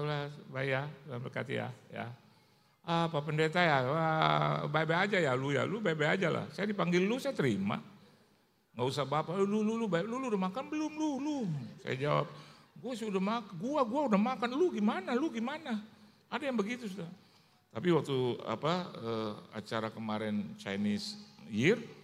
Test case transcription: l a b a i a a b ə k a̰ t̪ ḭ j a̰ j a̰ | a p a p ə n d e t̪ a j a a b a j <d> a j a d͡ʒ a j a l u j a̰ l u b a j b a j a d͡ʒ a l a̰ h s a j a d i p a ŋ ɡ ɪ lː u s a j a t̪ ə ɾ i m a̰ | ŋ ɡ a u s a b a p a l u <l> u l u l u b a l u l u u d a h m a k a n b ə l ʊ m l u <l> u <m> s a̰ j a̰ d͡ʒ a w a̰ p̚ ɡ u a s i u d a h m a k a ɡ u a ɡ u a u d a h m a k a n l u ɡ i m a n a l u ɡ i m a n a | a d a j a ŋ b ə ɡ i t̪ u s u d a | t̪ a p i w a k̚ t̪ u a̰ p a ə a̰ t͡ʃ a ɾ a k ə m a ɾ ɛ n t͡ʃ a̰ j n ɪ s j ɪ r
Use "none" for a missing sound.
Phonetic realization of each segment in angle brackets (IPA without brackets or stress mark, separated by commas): b, l, l, m